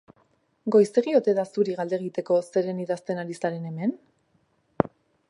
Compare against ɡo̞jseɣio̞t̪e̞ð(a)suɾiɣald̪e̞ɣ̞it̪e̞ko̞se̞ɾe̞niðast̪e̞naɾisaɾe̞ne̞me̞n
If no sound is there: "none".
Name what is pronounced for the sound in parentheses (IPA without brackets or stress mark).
a